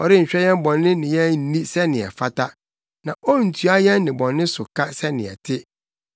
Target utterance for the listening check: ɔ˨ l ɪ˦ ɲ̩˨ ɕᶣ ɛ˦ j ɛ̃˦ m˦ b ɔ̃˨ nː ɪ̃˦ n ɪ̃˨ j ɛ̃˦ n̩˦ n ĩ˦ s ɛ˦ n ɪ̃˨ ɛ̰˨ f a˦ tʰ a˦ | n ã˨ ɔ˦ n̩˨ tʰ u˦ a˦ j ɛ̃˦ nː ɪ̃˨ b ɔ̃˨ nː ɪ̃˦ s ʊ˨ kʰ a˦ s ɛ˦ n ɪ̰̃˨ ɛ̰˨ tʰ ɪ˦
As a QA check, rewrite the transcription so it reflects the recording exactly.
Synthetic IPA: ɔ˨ ɾ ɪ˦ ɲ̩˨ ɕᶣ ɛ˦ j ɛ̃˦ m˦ b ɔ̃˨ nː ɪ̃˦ n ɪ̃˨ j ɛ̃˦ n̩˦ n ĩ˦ s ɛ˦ n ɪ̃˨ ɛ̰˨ f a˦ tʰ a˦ | n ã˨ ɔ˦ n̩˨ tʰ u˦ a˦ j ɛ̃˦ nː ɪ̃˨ b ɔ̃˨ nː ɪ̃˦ s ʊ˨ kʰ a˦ s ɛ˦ n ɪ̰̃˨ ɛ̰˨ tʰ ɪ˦